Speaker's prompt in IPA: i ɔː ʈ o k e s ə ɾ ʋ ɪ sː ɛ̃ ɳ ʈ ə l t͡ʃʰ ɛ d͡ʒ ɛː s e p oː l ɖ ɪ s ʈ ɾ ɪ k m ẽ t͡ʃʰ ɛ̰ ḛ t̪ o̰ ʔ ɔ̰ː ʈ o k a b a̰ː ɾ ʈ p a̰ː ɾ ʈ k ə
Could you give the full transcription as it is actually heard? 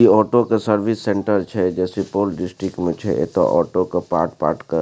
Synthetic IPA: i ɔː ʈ o k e s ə ɾ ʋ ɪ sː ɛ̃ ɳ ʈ ə ɾ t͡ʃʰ ɛ d͡ʒ ɛː s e p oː l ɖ ɪ s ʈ ɾ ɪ k m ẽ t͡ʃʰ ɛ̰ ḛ t̪ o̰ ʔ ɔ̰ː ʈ o k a p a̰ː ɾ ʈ p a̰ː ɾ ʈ k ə